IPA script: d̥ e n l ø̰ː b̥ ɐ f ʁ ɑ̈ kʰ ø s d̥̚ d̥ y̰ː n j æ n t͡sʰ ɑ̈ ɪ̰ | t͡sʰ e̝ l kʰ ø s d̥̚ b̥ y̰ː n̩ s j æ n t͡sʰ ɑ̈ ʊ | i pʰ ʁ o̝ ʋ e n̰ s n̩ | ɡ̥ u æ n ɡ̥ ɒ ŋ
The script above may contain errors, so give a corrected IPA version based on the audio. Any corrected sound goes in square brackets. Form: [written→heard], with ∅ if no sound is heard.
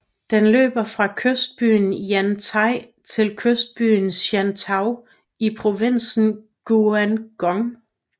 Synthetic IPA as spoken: d̥ e n l ø̰ː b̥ ɐ f ʁ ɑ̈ kʰ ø s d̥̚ [d̥→b̥] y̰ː n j æ n t͡sʰ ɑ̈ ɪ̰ | t͡sʰ e̝ l kʰ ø s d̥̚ b̥ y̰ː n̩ s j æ n t͡sʰ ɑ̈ ʊ | i pʰ ʁ o̝ ʋ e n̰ s n̩ | ɡ̥ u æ n ɡ̥ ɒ ŋ